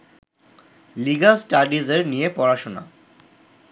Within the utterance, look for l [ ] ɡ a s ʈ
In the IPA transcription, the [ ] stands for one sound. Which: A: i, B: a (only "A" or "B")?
A